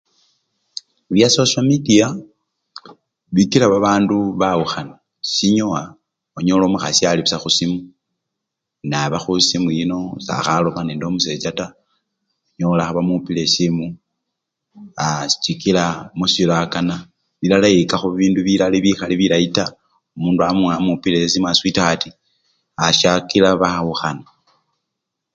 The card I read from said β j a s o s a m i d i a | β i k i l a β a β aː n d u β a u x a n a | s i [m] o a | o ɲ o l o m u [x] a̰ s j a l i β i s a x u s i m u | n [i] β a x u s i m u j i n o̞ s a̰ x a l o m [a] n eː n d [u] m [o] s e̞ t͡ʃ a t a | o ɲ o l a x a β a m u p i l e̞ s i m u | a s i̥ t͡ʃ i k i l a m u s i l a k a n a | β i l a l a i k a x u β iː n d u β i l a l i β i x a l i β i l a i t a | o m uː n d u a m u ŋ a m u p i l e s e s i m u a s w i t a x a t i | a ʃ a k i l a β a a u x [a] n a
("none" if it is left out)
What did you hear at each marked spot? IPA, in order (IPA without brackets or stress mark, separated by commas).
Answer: ɲ, x, a, a, o, u, a